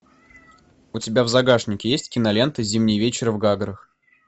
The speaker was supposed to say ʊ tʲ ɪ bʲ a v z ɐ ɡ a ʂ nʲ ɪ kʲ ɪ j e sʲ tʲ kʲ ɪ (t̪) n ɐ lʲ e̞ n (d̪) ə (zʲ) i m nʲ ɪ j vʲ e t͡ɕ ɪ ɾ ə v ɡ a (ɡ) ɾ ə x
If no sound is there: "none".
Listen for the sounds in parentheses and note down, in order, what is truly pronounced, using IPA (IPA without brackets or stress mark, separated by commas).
none, t̪, zʲ, ɡ